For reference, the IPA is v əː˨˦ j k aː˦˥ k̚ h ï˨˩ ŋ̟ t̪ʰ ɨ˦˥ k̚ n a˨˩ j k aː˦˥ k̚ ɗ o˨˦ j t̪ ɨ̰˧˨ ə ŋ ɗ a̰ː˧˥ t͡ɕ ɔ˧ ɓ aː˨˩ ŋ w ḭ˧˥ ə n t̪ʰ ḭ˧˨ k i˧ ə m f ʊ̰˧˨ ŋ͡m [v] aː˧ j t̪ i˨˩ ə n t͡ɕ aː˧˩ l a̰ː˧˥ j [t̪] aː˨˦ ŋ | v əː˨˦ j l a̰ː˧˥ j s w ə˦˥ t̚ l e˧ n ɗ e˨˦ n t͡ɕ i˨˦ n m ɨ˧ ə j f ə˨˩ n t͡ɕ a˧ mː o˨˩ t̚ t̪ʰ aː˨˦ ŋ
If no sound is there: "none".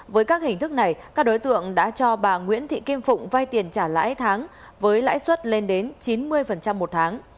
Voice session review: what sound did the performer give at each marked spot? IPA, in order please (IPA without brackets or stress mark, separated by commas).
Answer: v, t̪ʰ